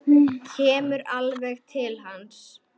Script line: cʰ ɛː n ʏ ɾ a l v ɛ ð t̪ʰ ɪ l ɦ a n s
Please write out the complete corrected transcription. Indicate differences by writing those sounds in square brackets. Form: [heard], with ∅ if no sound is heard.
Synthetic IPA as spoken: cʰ ɛː [m] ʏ ɾ a l v ɛ [ɣ] t̪ʰ ɪ l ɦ a n s